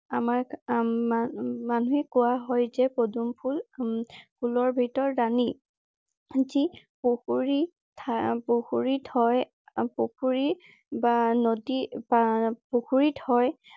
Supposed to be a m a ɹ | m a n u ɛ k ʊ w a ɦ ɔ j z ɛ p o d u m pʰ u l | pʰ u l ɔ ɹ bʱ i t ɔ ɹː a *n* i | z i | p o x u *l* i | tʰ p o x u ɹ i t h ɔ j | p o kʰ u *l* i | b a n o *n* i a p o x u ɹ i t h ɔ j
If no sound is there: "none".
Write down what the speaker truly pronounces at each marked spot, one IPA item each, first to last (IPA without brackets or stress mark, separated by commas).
n, ɹ, ɹ, d